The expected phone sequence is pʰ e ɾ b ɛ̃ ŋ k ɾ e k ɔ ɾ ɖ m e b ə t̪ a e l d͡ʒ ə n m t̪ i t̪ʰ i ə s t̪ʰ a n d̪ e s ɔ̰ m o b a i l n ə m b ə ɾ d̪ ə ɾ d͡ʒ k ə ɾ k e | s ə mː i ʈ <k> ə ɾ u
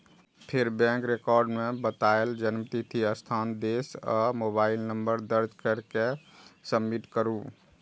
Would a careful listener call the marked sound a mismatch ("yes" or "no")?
no